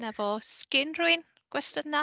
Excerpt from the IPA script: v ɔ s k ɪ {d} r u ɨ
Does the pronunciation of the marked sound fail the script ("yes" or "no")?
yes